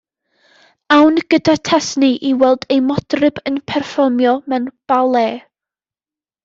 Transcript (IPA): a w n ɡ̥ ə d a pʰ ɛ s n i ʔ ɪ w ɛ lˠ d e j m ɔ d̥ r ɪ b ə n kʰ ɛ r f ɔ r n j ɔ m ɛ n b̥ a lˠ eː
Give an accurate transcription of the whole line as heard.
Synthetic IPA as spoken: a w n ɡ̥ ə d a tʰ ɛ s n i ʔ i w ɛ lˠ d e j m ɔ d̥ r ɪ b ə n pʰ ɛ r f ɔ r m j ɔ m ɛ n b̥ a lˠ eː